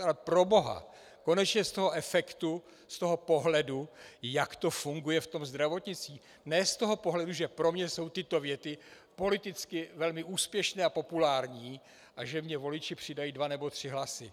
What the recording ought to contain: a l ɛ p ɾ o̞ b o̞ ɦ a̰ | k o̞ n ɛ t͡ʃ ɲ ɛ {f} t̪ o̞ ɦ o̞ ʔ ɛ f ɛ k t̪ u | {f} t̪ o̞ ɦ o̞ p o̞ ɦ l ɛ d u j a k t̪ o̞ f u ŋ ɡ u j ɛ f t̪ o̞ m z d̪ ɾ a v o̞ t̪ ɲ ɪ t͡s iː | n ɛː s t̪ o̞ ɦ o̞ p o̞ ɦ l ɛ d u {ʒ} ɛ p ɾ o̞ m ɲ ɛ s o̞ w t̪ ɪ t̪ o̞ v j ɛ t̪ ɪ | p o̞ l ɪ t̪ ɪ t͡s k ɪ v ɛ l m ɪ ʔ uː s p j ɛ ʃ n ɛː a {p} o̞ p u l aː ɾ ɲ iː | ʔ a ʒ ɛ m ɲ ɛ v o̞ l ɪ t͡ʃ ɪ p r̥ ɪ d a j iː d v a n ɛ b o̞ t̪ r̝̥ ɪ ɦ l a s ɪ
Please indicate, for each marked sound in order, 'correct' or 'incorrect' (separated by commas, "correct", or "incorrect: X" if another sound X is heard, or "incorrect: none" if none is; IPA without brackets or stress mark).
incorrect: s, incorrect: s, correct, correct